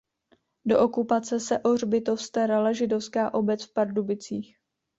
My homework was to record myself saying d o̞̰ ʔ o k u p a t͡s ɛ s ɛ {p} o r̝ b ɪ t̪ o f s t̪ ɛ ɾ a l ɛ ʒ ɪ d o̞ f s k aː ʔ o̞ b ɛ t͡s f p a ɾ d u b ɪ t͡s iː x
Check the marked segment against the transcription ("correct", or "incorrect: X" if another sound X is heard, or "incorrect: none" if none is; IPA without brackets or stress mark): incorrect: ʔ